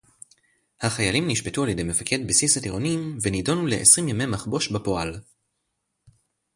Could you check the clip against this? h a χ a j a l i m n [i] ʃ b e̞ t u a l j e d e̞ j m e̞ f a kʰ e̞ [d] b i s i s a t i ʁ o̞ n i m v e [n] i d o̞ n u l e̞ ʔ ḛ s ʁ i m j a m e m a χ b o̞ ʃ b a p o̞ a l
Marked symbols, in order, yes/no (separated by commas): yes, yes, yes